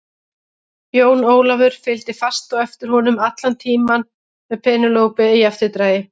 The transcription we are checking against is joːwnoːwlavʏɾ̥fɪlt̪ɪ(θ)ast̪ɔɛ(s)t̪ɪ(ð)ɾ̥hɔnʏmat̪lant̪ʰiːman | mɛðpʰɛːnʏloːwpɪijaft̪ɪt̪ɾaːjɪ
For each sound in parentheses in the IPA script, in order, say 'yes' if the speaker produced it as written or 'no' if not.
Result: no, no, no

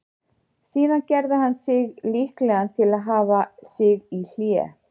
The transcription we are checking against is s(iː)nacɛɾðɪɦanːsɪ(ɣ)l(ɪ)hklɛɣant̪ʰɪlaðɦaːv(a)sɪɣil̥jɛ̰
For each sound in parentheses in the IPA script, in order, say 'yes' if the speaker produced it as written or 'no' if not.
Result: yes, yes, no, yes

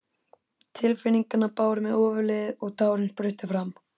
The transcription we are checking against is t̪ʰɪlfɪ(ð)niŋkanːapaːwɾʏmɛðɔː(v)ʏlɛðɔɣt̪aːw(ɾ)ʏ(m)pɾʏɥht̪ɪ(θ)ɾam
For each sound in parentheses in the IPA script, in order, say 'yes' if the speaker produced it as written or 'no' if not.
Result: no, yes, yes, no, no

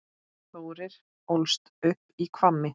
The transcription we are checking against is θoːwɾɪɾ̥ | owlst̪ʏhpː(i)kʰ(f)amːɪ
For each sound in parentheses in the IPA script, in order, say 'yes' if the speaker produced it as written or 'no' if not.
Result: yes, no

